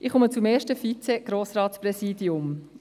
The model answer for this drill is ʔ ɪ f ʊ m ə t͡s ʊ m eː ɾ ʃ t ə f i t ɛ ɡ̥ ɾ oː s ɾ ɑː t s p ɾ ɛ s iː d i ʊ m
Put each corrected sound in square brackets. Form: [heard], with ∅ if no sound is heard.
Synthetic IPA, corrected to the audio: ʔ ɪ [χ] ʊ m ə t͡s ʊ m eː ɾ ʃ t ə f i [t͡s] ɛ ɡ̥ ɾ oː s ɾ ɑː t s p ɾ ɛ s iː d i ʊ m